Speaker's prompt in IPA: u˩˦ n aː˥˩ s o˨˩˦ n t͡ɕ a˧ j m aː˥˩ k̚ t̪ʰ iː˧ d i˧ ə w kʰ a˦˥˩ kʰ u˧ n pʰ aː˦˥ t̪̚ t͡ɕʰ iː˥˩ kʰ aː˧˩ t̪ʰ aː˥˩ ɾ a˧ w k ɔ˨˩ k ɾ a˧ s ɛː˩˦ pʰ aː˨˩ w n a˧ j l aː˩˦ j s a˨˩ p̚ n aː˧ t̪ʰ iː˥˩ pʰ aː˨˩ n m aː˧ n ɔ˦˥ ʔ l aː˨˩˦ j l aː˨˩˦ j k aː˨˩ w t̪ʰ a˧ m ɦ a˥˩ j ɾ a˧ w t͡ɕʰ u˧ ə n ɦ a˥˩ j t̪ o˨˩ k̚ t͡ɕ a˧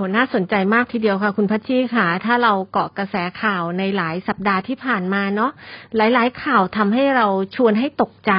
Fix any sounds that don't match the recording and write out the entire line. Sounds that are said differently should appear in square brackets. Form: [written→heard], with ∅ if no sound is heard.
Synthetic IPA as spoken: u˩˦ n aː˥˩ s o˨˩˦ n t͡ɕ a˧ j m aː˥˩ k̚ t̪ʰ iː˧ d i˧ ə w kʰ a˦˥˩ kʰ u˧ n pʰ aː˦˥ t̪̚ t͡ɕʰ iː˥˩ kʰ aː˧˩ t̪ʰ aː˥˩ ɾ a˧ w k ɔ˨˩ k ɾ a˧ s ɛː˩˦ [pʰ→kʰ] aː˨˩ w n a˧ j l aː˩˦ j s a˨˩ p̚ [n→d] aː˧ t̪ʰ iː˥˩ pʰ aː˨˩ n m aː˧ n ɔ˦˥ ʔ l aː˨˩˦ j l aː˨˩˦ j [k→kʰ] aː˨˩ w t̪ʰ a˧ m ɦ a˥˩ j ɾ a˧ w t͡ɕʰ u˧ ə n ɦ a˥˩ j t̪ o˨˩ k̚ t͡ɕ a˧